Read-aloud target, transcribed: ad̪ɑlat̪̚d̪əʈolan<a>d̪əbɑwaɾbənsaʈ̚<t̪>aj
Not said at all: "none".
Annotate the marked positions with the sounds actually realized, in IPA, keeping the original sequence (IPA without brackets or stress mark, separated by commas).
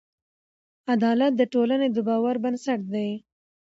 e, d̪